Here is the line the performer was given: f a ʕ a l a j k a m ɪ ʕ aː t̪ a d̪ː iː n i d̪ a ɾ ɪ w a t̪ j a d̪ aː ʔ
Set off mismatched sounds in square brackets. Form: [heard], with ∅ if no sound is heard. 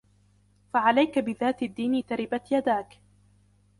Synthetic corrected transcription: f a ʕ a l a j k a [b] ɪ [ð] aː t̪ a d̪ː iː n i [t̪] a ɾ ɪ [b] a t̪ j a d̪ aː [k]